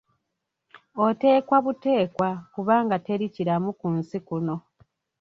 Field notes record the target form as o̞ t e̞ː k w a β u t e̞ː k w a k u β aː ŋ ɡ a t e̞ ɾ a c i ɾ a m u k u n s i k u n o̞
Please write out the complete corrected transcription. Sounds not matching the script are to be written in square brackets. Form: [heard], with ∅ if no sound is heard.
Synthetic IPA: o̞ t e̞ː k w a β u t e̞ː k w a k u β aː ŋ ɡ a t e̞ ɾ [i] c i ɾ a m u k u n s i k u n o̞